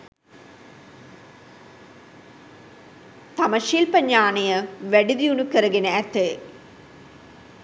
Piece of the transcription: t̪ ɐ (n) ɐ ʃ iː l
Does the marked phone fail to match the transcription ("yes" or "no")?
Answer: yes